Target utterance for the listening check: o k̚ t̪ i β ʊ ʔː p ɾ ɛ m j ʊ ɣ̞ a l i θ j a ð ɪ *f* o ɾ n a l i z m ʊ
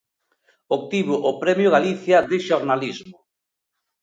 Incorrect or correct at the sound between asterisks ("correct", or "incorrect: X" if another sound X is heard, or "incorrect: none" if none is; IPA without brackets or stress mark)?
incorrect: ʃ